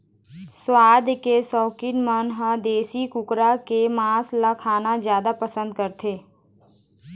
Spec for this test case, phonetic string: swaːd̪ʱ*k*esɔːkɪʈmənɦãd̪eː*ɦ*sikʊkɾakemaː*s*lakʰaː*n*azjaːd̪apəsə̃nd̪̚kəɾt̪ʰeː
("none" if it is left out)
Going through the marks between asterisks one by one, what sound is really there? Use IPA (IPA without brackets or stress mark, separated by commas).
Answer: k, none, s, n